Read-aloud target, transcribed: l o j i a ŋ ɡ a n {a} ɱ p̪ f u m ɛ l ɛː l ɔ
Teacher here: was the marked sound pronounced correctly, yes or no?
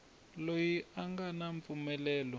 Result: yes